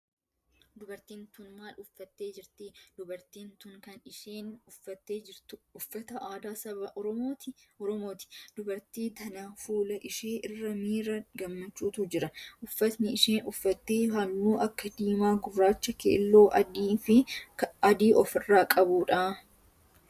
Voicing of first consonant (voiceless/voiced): voiced